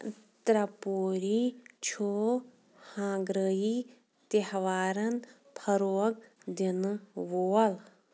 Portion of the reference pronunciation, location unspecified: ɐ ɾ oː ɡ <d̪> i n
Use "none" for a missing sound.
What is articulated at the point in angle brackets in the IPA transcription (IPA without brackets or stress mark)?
d̪